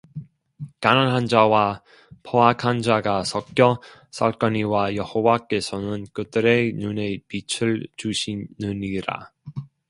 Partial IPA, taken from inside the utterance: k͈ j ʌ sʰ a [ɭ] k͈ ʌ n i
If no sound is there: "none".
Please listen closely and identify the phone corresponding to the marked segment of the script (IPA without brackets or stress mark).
ɭ